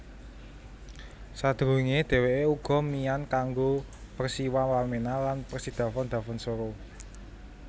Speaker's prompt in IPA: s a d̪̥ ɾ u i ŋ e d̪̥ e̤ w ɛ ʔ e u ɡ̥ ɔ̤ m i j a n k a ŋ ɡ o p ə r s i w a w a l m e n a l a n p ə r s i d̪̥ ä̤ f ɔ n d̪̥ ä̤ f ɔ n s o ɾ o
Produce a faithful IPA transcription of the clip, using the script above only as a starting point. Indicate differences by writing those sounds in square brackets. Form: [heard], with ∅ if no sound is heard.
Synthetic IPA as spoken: s a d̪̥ ɾ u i ŋ e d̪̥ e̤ w [e] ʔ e u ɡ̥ ɔ̤ m i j a n k a ŋ ɡ o p ə r s i w a w a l m e n a l a n p ə r s i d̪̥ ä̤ f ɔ n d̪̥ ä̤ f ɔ n s o ɾ o